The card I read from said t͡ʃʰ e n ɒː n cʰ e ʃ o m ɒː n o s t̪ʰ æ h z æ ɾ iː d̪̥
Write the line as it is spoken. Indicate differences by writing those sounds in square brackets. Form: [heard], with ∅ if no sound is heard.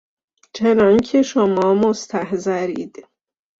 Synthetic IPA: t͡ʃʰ e n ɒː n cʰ e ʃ o m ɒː [m] o s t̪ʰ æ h z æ ɾ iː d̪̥